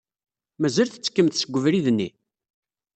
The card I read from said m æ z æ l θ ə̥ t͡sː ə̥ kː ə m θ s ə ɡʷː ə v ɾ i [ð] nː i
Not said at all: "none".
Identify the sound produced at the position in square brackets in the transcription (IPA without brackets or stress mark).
ð